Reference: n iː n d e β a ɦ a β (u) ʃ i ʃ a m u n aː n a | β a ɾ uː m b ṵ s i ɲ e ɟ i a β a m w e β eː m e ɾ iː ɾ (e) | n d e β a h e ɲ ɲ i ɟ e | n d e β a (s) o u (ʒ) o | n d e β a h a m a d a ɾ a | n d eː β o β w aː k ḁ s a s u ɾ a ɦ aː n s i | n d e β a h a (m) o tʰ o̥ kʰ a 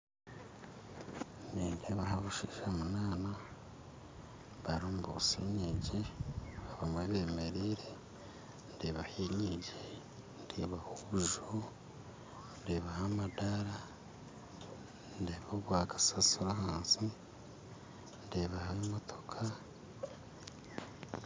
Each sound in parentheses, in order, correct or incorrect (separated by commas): correct, correct, incorrect, correct, correct